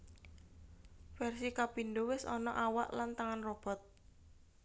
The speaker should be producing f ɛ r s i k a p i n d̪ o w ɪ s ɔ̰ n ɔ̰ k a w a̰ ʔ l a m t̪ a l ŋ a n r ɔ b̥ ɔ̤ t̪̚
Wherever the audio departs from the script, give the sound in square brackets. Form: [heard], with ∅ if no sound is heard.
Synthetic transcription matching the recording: f ɛ r s i k a p i n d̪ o w ɪ s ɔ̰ n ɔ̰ [ʔ] a w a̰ ʔ l a [n] t̪ a [∅] ŋ a n r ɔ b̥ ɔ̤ t̪̚